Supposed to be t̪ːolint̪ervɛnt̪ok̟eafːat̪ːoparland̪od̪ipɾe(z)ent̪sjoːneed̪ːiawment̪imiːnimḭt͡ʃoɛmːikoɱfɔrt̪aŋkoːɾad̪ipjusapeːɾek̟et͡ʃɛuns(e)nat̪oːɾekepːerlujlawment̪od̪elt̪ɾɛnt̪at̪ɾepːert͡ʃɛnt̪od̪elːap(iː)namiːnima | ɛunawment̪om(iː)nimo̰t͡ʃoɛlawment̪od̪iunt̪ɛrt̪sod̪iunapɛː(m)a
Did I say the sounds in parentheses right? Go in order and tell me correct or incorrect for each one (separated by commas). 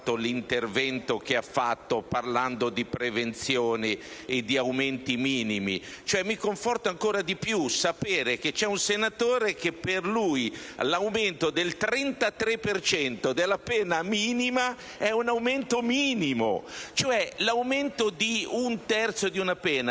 incorrect, correct, incorrect, correct, incorrect